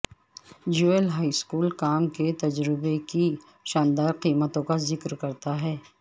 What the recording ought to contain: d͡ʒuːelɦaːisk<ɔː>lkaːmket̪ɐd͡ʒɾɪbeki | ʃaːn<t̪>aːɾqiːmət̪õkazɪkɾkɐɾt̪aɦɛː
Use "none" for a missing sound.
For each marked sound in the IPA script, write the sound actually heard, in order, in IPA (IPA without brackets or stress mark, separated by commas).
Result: uː, d̪